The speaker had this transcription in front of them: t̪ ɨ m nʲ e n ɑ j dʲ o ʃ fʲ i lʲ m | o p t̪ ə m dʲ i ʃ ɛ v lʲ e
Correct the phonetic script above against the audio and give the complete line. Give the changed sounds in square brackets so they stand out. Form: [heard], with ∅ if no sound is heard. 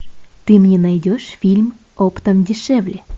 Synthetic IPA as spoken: t̪ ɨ m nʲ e n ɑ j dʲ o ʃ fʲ i lʲ m | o p t̪ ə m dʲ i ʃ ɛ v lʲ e